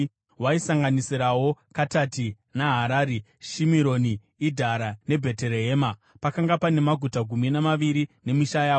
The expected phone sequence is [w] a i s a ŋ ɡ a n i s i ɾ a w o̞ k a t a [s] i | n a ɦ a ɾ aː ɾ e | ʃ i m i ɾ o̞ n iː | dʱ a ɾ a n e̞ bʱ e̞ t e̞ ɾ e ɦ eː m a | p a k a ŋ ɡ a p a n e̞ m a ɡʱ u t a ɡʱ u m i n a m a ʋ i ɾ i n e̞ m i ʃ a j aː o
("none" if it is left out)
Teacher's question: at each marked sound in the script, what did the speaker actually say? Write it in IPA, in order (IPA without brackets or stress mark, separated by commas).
w, t